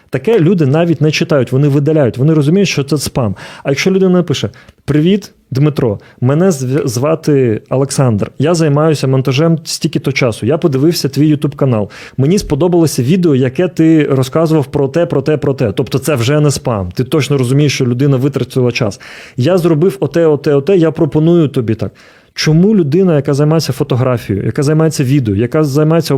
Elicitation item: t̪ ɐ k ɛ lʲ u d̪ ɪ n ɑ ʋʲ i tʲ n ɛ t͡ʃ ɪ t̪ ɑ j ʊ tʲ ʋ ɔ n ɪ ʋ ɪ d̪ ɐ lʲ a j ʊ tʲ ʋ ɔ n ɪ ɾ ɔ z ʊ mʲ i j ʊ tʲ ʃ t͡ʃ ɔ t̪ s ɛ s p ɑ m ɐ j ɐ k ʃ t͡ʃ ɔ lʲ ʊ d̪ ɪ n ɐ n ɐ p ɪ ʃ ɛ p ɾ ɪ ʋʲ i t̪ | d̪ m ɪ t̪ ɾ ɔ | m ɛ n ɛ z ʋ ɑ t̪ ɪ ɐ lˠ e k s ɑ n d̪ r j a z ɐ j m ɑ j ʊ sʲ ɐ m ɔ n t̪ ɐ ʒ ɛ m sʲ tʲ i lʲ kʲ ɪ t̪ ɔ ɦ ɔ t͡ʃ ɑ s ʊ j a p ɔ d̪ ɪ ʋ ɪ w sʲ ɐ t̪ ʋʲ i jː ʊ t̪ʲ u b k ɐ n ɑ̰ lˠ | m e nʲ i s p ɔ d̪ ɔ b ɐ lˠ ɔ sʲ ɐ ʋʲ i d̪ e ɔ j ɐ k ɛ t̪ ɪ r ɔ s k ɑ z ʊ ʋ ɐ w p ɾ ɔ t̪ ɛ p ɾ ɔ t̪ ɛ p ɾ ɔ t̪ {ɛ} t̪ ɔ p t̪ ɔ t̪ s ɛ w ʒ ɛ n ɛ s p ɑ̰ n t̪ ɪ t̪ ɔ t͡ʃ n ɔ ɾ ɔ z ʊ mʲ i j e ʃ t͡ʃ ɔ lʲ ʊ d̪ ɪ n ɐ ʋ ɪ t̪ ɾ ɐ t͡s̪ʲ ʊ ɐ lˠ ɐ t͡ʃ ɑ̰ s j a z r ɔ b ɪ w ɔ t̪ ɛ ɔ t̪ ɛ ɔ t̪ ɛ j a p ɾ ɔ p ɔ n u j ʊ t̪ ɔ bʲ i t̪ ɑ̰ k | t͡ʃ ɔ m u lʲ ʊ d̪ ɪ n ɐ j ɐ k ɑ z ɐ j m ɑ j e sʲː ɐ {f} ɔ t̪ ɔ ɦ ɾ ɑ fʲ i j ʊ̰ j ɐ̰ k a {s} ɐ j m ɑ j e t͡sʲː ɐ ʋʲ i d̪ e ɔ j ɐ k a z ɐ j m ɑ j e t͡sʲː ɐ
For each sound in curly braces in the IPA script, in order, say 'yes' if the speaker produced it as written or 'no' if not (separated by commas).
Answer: yes, yes, no